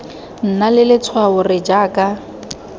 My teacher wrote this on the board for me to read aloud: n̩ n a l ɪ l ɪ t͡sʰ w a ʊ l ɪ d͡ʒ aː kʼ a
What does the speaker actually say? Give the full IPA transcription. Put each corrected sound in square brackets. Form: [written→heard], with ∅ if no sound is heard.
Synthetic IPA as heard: n̩ n a l ɪ l ɪ t͡sʰ w a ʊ [l→r] ɪ d͡ʒ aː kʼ a